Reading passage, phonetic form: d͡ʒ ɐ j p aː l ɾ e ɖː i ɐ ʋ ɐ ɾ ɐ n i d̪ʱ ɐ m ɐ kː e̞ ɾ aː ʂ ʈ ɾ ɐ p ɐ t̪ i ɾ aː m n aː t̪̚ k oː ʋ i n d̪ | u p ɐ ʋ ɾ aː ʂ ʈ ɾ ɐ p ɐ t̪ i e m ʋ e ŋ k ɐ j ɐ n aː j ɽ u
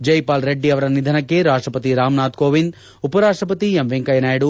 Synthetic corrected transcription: d͡ʒ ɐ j p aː l ɾ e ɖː i ɐ ʋ ɐ ɾ ɐ n i d̪ʱ ɐ n ɐ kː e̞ ɾ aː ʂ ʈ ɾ ɐ p ɐ t̪ i ɾ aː m n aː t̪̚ k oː ʋ i n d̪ | u p ɐ ɾ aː ʂ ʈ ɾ ɐ p ɐ t̪ i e m ʋ e ŋ k ɐ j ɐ n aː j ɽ u